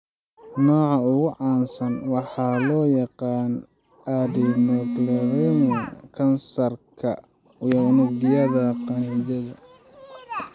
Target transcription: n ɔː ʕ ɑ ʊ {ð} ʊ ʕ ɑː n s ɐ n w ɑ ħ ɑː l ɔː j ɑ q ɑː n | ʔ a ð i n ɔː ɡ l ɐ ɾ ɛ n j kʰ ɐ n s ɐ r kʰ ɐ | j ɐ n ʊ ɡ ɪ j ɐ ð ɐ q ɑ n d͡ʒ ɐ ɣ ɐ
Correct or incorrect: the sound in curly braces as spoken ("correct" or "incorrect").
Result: incorrect